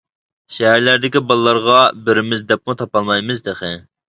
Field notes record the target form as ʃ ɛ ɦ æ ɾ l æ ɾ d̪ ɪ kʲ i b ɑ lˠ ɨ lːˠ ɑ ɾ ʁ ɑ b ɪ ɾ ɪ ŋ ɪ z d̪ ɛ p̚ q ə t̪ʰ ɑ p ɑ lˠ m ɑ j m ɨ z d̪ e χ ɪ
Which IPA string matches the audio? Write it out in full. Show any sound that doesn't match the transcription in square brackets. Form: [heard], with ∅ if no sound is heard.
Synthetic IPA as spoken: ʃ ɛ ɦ æ ɾ l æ ɾ d̪ ɪ kʲ i b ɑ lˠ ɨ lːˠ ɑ ɾ ʁ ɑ b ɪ ɾ ɪ [m] ɪ z d̪ ɛ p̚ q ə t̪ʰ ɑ p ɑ lˠ m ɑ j m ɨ z d̪ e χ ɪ